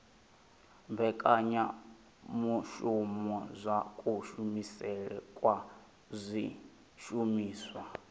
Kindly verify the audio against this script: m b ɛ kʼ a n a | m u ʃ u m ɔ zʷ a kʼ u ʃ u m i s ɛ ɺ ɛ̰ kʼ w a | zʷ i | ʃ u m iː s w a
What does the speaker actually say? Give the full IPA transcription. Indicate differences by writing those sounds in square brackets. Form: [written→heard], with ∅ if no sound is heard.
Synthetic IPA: m b ɛ kʼ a [n→ɲ] a | m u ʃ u m ɔ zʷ a kʼ u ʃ u m i s ɛ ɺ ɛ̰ kʼ w a | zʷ i | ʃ u m iː s w a